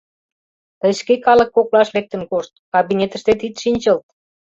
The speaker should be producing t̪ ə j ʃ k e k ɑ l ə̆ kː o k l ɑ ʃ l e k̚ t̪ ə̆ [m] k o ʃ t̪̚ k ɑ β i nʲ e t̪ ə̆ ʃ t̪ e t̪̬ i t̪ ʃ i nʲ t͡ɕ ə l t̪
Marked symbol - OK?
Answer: no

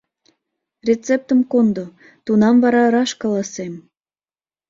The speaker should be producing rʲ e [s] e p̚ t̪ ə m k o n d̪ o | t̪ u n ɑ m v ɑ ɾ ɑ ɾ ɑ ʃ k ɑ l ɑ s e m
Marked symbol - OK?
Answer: no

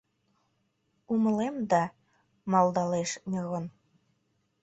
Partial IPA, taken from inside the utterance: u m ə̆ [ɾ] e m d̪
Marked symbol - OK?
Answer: no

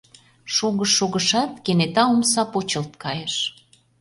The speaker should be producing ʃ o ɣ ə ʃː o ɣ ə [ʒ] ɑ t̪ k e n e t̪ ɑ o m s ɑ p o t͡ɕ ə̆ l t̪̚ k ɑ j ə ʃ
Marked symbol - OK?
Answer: no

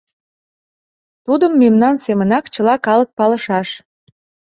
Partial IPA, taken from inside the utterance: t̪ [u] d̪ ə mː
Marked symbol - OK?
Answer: yes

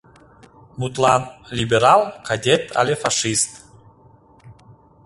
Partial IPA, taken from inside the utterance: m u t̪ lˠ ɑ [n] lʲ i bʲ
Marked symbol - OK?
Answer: yes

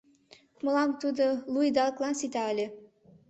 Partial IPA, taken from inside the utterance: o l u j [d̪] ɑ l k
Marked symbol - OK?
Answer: yes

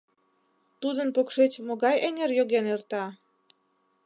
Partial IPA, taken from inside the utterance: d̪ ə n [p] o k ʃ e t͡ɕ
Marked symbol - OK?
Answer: yes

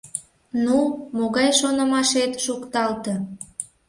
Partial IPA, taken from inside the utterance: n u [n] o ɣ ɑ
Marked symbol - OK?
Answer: no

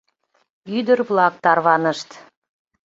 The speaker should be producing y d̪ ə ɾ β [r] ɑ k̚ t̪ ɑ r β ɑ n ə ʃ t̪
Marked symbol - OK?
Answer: no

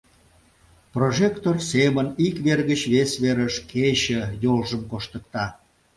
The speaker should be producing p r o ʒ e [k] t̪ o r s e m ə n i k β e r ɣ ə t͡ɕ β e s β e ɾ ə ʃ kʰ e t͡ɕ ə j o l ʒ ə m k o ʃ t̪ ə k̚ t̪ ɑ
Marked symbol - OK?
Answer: yes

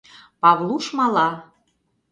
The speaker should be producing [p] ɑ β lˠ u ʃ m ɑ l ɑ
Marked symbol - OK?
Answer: yes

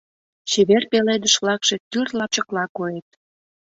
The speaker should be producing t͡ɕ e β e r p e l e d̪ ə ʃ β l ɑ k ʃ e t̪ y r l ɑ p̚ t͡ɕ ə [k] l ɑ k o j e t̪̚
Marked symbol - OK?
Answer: yes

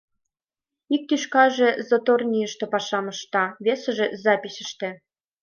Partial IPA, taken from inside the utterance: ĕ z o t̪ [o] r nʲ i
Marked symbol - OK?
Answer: yes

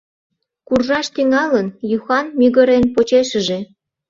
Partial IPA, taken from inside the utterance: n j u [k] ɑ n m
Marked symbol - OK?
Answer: no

